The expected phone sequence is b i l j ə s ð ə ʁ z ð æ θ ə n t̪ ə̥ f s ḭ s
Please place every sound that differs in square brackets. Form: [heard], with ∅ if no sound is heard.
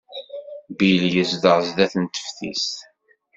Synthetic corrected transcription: b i l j ə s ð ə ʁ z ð æ θ ə n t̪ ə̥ f [θ] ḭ s